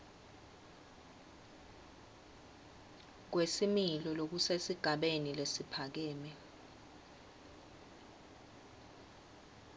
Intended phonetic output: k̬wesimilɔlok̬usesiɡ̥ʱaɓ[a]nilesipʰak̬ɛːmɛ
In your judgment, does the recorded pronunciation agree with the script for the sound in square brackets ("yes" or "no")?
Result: no